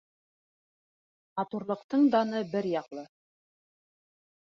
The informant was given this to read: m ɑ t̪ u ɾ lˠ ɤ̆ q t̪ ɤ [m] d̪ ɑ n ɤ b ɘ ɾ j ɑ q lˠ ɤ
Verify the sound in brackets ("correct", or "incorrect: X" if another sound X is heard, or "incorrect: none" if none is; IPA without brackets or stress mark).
incorrect: ɴ